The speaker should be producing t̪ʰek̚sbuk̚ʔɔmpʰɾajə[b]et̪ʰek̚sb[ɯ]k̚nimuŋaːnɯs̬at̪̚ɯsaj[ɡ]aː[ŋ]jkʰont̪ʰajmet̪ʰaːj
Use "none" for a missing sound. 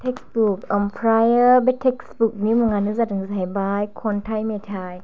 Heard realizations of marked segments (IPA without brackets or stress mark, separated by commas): b, u, b, none